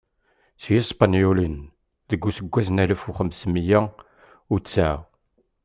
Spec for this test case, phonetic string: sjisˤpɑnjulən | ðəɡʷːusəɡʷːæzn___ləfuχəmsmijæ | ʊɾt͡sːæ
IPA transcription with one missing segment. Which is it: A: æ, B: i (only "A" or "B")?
A